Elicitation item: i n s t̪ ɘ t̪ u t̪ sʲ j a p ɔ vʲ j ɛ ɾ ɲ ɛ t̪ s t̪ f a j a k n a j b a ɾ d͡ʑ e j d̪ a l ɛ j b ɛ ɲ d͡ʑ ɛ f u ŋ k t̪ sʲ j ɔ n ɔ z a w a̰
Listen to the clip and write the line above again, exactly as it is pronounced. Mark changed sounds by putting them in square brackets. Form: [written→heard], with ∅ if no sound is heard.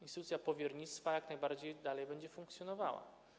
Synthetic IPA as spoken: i n s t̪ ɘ t̪ u t̪ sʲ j a p ɔ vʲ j ɛ ɾ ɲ [ɛ→i] t̪ s t̪ f a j a k n a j b a ɾ d͡ʑ e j d̪ a l ɛ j b ɛ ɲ d͡ʑ ɛ f u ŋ k t̪ sʲ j ɔ n ɔ [z→v] a w a̰